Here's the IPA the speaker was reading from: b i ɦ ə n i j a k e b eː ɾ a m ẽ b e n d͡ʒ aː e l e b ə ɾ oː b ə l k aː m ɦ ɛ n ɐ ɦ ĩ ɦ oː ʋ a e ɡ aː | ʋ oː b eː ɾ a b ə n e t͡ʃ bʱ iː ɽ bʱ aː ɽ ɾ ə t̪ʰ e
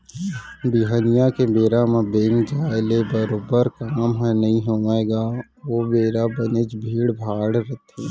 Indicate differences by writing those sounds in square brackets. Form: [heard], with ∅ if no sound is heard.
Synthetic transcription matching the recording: b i ɦ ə n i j a k e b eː ɾ a m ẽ b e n d͡ʒ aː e l e b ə ɾ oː b ə [ɾ] k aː m ɦ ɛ n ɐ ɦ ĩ ɦ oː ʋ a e ɡ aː | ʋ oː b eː ɾ a b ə n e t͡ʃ bʱ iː ɽ bʱ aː ɽ ɾ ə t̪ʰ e